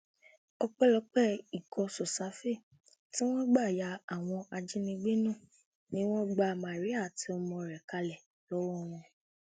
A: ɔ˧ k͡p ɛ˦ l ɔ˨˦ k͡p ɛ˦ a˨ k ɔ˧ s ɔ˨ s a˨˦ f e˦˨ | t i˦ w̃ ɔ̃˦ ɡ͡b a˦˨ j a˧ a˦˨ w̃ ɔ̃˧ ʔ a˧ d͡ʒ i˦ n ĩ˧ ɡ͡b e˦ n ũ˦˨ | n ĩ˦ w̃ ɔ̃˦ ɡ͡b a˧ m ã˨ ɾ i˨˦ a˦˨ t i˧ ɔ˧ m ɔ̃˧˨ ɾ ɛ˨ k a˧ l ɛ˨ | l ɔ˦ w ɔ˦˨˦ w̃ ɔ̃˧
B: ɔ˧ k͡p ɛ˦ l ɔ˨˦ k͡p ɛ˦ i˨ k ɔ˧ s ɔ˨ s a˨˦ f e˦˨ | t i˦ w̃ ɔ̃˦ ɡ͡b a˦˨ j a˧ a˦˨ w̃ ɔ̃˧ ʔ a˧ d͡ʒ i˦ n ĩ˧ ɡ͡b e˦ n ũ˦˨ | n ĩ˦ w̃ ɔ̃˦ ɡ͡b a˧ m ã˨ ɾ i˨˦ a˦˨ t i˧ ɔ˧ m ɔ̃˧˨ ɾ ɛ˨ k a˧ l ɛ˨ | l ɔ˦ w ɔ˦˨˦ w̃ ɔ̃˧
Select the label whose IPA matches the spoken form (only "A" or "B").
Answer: B